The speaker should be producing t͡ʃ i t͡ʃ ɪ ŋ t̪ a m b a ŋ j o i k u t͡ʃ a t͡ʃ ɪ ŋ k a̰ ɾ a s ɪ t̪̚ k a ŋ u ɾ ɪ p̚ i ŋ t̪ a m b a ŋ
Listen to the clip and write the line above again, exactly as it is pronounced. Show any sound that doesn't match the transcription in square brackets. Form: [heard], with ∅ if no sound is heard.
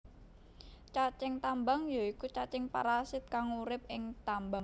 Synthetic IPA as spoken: t͡ʃ [a] t͡ʃ ɪ ŋ t̪ a m b a ŋ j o i k u t͡ʃ a t͡ʃ ɪ ŋ [p] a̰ ɾ a s ɪ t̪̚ k a ŋ u ɾ ɪ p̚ [ɪ] ŋ t̪ a m b a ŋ